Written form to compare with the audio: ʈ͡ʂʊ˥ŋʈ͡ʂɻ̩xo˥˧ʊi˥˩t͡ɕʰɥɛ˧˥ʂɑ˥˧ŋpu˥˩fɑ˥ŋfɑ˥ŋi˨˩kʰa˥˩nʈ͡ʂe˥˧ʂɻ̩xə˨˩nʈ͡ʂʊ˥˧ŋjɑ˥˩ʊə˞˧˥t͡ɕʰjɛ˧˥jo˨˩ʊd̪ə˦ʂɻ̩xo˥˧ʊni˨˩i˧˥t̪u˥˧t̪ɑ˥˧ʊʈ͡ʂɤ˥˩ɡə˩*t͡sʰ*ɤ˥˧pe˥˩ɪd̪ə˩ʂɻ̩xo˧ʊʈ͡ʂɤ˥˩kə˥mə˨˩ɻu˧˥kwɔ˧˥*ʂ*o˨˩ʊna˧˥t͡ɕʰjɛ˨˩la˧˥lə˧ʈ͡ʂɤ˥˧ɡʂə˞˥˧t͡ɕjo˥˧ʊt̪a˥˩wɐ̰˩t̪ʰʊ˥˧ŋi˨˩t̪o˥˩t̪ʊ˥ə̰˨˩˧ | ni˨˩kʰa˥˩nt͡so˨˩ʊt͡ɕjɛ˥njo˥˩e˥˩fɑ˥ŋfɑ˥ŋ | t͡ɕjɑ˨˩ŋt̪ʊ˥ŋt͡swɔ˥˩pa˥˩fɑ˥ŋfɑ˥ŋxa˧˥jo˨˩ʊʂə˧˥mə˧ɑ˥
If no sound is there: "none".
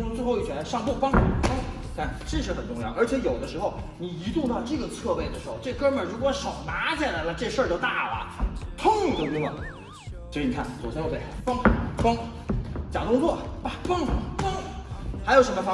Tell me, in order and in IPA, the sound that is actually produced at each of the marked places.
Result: t͡sʰ, ʂ

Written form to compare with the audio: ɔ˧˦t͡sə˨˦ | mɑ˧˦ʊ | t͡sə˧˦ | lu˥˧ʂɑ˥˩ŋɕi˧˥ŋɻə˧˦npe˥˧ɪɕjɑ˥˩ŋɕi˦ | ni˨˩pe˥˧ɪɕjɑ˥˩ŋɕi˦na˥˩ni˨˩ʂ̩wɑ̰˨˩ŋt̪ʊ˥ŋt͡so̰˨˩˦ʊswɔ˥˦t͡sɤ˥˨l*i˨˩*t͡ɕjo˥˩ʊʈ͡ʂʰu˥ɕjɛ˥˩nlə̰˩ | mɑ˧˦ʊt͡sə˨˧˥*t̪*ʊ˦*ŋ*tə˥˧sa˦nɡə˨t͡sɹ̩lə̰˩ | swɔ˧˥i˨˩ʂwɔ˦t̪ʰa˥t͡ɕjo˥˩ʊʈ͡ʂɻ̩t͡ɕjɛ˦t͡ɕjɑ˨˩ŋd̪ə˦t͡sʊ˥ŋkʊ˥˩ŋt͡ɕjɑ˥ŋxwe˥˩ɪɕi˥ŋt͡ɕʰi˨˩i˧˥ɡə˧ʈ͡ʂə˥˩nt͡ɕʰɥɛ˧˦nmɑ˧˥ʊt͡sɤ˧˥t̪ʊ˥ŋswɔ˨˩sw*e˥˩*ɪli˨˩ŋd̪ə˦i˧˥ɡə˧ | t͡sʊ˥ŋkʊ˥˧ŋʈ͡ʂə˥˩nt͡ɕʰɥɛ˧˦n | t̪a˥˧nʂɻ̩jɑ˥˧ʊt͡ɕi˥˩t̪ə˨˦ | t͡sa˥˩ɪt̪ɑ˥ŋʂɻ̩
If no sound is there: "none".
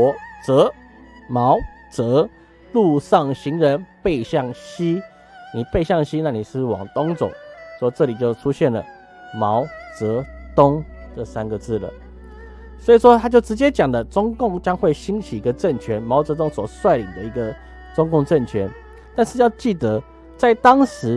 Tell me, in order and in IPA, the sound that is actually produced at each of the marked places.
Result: i˨˩, t̪, ŋ, a˥˩

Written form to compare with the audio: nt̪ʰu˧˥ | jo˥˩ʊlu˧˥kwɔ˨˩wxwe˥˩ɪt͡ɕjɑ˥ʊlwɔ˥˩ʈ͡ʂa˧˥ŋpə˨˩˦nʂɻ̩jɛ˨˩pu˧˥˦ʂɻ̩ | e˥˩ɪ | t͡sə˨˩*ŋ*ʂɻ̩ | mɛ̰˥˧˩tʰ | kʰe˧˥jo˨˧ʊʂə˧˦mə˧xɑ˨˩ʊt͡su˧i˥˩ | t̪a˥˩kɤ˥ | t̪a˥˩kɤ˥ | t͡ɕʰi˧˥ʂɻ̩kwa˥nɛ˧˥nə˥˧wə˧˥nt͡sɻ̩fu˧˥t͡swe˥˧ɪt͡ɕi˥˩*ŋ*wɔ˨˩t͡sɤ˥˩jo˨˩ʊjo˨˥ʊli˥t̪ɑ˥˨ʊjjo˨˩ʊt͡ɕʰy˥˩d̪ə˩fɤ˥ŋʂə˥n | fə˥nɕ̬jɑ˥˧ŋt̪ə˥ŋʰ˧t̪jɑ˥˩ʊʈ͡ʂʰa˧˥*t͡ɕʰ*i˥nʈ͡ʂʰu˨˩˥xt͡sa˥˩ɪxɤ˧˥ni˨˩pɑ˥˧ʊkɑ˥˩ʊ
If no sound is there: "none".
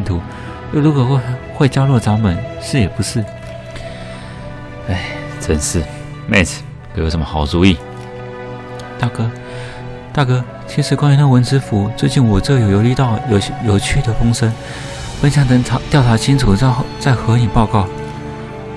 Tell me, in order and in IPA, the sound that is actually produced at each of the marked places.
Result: n, n, t͡ɕʰ

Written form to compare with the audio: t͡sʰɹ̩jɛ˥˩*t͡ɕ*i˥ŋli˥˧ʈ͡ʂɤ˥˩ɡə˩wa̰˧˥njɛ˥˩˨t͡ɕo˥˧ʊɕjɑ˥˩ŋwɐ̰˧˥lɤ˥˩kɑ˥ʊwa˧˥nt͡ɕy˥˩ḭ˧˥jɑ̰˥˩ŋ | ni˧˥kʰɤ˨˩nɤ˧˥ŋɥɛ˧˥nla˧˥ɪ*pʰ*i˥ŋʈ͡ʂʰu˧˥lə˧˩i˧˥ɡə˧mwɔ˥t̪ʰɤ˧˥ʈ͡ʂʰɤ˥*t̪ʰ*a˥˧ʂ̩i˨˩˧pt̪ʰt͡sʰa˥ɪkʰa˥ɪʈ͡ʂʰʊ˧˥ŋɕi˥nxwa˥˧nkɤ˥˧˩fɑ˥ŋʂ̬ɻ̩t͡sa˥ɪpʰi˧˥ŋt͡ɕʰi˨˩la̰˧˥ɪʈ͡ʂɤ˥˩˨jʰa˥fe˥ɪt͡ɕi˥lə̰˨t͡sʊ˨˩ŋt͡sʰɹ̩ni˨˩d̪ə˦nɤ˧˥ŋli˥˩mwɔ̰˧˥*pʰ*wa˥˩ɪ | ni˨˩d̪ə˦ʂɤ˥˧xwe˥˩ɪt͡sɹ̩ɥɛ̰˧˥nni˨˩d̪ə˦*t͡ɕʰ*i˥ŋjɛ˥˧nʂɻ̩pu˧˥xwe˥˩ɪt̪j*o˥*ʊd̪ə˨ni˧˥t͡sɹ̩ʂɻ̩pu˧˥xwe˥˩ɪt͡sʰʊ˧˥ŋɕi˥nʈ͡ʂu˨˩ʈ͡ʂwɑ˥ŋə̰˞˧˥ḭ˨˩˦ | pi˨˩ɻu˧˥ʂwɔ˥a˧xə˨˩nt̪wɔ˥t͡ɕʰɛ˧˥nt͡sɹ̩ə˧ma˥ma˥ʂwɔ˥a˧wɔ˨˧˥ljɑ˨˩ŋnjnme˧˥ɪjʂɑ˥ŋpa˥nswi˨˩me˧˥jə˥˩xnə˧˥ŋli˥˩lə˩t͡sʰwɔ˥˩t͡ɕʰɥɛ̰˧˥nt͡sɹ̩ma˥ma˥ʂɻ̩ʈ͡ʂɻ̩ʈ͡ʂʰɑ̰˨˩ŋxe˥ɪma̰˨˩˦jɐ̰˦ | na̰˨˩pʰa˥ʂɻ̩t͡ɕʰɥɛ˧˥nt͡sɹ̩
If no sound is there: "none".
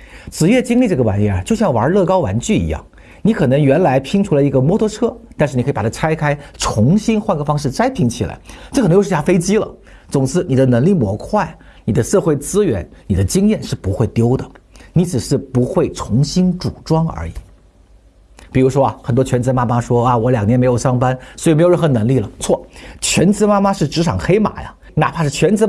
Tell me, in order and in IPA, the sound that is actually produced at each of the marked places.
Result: t͡ɕ, pʰ, t̪, kʰ, t͡ɕ, o˥

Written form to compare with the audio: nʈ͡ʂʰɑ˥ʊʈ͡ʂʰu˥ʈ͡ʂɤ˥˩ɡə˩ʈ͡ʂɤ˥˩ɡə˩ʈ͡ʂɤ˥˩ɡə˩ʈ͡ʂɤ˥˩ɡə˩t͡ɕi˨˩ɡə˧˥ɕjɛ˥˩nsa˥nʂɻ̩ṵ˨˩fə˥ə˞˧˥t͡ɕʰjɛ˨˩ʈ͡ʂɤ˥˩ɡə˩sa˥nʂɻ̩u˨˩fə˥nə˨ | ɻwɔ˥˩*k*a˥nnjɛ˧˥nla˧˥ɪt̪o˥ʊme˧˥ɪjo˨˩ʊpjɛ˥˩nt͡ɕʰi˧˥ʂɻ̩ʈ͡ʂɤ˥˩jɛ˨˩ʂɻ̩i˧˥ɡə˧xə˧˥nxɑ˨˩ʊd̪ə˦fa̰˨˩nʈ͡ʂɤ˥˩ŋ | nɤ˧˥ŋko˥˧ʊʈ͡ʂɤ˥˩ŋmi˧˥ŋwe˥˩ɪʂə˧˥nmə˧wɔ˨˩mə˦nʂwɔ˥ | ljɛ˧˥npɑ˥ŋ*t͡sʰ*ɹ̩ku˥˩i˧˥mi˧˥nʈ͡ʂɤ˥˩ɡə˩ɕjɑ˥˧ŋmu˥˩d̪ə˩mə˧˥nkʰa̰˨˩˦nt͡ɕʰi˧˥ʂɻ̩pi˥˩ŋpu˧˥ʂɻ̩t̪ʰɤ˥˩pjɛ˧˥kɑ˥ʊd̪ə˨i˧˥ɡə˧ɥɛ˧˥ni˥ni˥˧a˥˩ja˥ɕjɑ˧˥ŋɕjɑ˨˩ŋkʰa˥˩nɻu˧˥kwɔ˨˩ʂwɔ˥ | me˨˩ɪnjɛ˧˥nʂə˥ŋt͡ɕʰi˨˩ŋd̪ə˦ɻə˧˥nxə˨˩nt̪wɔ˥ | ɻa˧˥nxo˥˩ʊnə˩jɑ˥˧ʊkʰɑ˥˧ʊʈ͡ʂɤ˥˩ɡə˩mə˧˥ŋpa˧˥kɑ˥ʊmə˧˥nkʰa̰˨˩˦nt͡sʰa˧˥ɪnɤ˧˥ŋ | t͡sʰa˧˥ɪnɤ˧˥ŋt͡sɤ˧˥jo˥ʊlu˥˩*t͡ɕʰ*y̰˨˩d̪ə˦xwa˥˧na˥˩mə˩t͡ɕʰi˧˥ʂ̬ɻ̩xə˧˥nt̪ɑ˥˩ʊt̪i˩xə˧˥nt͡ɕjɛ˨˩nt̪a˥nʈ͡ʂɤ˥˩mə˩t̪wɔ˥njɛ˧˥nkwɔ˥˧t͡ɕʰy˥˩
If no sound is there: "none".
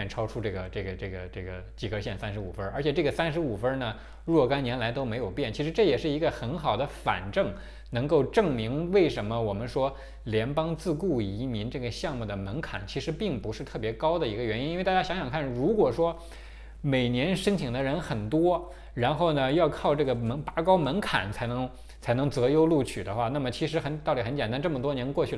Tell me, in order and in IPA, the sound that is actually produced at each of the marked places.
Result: k, t͡s, t͡ɕʰ

